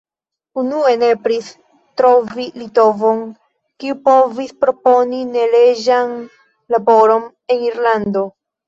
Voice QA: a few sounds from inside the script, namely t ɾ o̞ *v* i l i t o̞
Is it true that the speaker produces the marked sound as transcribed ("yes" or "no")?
yes